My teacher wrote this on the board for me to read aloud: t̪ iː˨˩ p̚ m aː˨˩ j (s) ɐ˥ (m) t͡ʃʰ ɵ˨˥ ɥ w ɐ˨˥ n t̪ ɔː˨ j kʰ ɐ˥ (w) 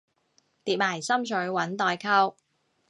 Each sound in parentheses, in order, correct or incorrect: correct, correct, correct

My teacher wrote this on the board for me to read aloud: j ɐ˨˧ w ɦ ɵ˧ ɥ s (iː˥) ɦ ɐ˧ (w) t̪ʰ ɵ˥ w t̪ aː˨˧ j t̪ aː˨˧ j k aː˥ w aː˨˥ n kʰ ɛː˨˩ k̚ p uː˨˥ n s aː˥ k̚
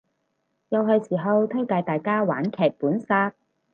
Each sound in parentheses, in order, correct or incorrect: incorrect: iː˨˩, correct

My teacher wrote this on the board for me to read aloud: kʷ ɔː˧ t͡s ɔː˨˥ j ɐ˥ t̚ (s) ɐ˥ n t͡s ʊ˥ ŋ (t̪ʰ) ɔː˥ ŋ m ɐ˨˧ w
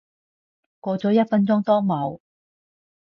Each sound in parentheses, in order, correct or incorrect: incorrect: f, incorrect: t̪

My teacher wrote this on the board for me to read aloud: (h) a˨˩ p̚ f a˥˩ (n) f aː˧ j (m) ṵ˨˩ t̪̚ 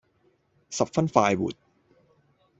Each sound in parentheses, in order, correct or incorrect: incorrect: s, correct, incorrect: b

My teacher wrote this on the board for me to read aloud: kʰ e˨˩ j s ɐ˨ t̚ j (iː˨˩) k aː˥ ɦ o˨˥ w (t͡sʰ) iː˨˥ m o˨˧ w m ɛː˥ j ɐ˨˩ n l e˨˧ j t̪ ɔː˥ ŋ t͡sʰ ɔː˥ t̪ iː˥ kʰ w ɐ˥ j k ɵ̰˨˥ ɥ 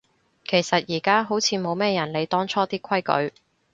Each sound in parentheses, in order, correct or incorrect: correct, correct

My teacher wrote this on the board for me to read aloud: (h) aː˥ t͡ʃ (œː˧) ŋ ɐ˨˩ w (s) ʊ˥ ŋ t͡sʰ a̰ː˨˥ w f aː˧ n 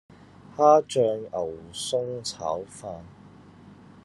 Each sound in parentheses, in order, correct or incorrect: correct, correct, correct

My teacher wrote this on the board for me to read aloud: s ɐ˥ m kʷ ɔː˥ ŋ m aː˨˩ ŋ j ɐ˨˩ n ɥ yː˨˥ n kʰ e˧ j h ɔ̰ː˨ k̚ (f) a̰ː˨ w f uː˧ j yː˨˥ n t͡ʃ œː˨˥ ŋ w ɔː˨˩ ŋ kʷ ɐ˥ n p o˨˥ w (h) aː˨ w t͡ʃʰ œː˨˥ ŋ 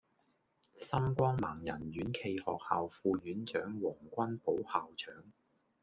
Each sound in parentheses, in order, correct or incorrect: incorrect: h, correct

